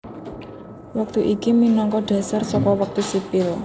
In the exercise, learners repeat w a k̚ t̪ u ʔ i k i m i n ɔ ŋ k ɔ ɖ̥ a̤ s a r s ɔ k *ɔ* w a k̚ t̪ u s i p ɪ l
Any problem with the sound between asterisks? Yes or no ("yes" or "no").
no